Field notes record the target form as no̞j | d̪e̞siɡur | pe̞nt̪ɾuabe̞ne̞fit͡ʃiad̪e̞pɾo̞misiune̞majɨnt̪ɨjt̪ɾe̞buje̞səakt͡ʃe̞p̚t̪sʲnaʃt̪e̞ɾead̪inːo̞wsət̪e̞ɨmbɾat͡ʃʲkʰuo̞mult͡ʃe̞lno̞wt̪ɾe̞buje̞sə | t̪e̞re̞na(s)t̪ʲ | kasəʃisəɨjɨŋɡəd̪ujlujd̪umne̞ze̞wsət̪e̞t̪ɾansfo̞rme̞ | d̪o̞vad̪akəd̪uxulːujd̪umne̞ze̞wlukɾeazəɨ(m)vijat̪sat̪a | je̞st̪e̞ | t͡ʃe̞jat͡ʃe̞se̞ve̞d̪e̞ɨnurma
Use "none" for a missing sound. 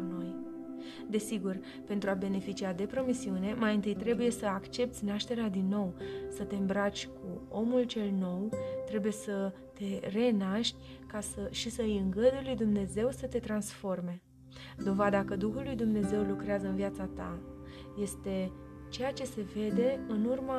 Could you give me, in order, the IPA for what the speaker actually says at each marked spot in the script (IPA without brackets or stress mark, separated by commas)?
ʃ, n